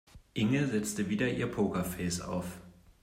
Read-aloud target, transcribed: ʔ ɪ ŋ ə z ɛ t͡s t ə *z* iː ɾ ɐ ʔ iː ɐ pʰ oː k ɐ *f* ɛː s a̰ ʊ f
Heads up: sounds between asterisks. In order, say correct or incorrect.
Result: incorrect, correct

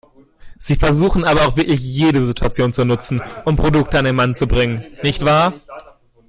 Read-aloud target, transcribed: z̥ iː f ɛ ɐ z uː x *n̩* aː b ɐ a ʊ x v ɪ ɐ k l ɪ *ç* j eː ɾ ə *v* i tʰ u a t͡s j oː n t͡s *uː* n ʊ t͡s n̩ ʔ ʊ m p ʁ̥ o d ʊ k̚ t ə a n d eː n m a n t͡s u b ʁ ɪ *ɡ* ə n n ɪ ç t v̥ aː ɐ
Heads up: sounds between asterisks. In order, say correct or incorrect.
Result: correct, correct, incorrect, incorrect, incorrect

